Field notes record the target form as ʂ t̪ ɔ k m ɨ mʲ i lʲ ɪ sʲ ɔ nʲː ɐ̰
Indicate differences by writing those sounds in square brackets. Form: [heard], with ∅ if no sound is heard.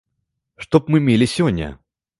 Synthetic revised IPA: ʂ t̪ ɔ [p] m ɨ mʲ [e] lʲ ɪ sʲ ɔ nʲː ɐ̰